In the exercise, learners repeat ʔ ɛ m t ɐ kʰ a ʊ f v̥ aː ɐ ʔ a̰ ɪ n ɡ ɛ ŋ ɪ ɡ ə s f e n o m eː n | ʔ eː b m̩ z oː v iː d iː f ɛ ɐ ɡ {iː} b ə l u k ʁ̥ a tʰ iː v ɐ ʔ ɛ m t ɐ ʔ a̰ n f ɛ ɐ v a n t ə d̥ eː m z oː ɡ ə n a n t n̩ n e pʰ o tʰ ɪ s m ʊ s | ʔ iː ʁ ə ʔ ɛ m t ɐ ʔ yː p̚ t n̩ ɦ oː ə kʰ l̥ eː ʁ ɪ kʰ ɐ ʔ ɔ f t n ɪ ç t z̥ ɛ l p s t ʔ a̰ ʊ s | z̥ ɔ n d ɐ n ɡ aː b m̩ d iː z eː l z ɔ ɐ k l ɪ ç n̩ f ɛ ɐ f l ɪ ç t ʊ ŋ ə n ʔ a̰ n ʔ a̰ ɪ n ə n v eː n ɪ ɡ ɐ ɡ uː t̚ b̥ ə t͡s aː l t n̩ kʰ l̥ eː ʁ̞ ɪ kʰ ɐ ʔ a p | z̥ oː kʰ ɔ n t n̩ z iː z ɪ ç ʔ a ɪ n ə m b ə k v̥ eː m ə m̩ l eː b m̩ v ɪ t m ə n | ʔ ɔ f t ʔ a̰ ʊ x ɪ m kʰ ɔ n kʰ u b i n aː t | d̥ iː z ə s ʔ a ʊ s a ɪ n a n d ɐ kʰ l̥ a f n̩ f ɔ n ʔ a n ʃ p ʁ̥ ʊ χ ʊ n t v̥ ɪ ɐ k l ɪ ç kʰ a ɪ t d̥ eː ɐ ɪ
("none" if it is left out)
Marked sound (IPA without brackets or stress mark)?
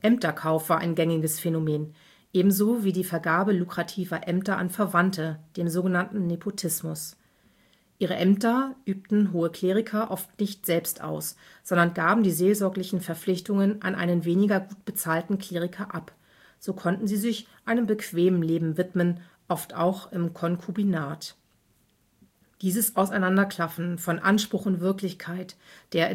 aː